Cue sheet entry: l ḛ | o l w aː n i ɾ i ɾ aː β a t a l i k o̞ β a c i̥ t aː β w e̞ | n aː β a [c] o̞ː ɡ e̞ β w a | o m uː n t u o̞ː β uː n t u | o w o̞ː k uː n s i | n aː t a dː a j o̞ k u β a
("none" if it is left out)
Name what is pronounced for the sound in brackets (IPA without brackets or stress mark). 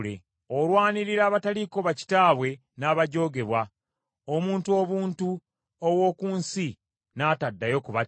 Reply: ɟ